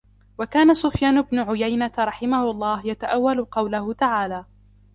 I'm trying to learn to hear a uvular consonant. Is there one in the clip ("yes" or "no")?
yes